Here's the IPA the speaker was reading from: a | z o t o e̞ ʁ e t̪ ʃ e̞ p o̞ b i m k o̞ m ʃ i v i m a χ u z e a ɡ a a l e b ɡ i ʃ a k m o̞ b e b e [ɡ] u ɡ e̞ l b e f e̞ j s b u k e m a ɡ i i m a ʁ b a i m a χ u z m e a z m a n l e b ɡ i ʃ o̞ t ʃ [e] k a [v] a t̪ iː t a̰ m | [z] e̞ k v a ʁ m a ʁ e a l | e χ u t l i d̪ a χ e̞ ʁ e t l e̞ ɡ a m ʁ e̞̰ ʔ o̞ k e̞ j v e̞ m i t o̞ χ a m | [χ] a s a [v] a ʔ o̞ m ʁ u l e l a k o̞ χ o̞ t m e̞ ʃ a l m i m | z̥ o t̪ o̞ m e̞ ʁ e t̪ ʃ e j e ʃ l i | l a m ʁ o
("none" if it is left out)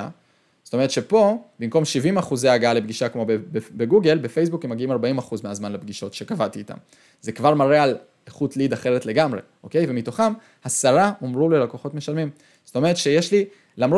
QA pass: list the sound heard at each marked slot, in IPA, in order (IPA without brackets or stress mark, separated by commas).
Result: ɡ, e, v, z, h, ʁ